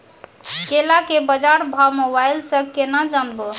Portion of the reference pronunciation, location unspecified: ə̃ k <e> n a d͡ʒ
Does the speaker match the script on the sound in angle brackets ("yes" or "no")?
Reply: yes